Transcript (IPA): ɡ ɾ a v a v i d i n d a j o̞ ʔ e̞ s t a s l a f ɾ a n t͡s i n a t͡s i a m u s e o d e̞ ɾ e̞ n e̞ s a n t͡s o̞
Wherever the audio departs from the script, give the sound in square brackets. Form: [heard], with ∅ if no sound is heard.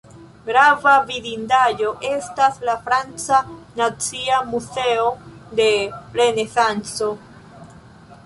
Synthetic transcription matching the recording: ɡ ɾ a v a v i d i n d a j o̞ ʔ e̞ s t a s l a f ɾ a n t͡s [a] n a t͡s i a m u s e o d e̞ ɾ e̞ n e̞ s a n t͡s o̞